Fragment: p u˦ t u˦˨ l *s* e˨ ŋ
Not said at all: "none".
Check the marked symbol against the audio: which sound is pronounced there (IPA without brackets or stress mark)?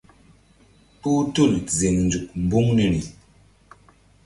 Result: z